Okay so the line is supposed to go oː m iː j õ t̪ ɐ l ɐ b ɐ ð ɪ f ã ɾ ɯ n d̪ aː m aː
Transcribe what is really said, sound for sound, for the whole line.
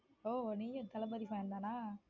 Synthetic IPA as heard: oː n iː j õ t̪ ɐ l ɐ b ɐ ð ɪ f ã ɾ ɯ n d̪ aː n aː